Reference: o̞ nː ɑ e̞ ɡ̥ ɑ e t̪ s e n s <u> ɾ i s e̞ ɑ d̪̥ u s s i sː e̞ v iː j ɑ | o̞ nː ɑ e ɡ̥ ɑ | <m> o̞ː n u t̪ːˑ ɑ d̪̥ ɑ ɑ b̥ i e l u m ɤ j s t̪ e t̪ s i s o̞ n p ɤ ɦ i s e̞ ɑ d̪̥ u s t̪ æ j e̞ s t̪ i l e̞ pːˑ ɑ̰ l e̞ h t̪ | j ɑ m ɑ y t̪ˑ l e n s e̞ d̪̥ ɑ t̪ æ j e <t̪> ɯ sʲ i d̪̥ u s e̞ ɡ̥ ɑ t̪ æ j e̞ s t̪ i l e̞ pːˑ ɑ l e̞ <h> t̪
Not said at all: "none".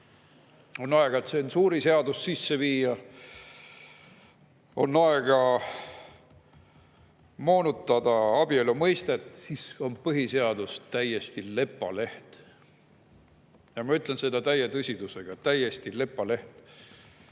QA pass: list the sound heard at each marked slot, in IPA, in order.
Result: uː, m, t̪, h

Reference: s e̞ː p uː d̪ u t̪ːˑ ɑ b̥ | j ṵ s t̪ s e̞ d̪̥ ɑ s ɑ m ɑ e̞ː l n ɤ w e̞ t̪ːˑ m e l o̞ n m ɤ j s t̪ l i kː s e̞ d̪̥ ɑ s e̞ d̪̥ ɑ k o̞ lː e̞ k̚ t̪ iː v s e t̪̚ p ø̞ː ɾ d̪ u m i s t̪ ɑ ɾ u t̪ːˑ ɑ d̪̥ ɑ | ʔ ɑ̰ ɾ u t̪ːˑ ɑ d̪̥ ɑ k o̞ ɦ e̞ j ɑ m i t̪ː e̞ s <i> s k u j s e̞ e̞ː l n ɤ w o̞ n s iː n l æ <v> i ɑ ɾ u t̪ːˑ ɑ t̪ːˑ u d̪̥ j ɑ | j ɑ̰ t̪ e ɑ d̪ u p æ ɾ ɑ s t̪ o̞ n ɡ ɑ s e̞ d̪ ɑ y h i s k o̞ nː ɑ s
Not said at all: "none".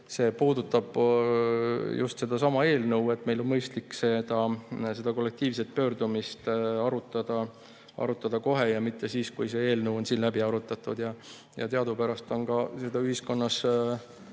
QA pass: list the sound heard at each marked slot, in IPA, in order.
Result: iː, b

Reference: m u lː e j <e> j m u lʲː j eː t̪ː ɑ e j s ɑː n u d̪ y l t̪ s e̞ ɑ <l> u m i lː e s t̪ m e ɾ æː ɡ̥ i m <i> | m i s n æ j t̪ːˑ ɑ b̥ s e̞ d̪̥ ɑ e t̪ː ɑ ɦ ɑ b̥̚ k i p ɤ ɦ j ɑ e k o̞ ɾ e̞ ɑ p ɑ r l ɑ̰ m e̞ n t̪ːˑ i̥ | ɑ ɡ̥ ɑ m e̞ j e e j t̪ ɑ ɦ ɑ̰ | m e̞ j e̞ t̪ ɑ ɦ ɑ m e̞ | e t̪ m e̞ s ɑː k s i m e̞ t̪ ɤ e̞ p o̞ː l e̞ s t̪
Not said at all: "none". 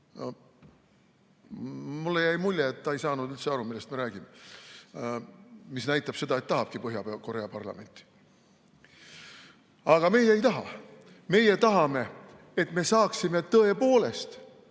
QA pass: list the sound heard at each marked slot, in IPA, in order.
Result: æ, ɾ, e

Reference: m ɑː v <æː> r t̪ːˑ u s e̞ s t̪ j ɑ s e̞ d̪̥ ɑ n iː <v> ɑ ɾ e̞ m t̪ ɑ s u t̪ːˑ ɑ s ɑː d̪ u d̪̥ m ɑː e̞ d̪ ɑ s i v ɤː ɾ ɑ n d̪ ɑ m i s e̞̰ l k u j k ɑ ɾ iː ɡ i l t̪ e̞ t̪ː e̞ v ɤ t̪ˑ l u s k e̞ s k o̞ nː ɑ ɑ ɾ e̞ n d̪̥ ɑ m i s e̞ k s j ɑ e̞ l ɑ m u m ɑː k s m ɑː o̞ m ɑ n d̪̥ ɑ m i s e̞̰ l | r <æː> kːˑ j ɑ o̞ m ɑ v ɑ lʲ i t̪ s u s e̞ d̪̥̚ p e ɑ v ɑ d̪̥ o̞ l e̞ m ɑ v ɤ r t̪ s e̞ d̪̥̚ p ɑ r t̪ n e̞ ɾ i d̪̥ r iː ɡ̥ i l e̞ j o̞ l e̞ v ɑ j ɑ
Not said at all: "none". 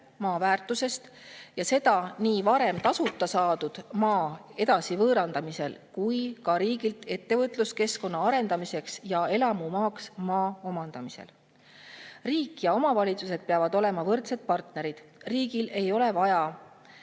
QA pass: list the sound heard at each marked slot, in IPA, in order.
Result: æː, v, iː

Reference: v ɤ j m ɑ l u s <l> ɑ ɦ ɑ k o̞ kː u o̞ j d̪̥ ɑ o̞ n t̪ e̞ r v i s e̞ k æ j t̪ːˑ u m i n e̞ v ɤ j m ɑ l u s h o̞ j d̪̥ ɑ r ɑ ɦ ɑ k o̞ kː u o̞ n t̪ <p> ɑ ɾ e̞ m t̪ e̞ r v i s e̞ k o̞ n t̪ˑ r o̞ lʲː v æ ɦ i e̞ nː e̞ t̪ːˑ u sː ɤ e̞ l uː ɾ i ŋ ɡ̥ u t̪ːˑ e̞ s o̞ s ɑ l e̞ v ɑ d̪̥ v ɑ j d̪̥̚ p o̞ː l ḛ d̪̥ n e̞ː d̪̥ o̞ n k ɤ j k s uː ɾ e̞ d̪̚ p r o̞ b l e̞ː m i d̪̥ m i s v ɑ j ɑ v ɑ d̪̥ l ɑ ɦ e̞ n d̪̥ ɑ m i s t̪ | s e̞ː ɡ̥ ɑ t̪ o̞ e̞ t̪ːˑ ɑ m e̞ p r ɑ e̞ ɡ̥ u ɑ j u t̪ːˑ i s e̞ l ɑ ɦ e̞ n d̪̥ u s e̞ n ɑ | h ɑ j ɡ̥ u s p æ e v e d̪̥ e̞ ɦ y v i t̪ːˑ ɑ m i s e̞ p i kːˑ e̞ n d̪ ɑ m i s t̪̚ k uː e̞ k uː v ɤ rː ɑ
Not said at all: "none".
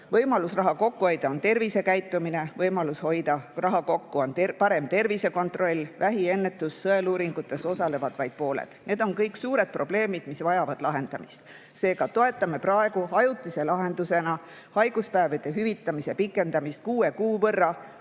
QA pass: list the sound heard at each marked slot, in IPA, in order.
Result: r, p

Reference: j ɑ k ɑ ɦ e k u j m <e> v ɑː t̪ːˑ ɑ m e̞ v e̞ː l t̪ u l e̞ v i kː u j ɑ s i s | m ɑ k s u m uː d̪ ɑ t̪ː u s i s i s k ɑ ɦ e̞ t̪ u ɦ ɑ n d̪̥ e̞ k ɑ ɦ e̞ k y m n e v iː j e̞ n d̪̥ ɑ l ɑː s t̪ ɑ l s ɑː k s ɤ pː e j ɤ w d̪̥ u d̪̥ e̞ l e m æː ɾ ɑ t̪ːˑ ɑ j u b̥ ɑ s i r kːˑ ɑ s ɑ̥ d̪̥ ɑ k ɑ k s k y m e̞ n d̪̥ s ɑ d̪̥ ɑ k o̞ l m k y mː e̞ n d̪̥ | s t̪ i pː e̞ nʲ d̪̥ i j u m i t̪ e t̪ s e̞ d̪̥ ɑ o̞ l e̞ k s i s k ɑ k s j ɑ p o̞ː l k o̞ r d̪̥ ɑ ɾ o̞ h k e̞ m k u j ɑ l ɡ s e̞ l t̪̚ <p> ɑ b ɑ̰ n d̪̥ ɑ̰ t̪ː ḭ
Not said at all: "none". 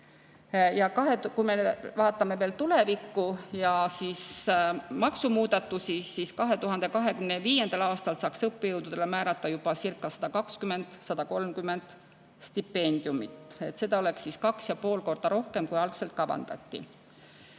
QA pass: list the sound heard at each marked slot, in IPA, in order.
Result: e, k

